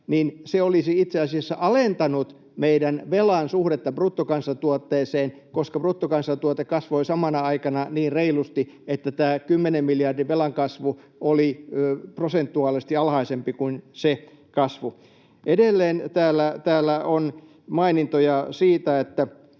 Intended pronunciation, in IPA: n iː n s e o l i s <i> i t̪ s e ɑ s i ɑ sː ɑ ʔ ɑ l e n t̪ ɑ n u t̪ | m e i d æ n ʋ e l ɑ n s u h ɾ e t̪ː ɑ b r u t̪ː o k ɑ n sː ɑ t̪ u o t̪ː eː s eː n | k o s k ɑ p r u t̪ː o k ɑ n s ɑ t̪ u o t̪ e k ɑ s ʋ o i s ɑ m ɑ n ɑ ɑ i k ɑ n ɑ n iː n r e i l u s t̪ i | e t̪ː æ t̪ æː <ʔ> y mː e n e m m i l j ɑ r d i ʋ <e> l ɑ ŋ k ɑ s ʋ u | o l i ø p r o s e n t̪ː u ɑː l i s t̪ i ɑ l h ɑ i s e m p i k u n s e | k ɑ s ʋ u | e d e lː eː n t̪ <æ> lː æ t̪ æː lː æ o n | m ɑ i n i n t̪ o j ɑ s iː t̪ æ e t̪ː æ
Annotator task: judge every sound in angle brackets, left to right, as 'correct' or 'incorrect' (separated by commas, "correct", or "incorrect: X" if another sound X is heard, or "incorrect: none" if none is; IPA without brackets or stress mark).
correct, incorrect: k, correct, incorrect: æː